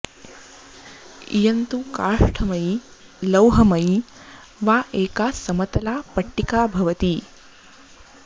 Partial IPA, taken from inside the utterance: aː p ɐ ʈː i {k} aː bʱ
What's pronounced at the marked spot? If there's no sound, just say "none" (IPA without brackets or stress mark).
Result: k